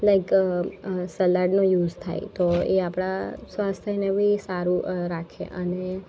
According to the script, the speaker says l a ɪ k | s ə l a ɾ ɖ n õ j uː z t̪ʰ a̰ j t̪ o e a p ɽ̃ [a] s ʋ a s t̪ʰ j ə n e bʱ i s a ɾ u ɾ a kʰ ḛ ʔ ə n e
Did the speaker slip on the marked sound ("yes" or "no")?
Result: no